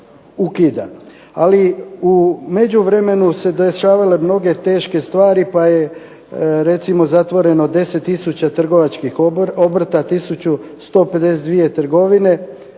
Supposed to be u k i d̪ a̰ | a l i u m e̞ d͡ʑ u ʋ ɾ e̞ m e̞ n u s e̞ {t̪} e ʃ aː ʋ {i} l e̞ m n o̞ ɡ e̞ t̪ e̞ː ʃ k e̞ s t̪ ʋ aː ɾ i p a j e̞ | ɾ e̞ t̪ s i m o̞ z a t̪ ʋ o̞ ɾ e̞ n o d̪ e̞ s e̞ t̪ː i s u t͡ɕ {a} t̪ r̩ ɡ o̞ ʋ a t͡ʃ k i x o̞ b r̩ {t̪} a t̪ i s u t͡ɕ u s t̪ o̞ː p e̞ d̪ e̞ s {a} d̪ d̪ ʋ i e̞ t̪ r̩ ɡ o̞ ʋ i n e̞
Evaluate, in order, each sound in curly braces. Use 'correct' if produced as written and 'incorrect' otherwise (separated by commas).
incorrect, incorrect, correct, correct, incorrect